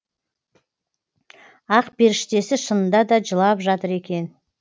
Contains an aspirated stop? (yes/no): no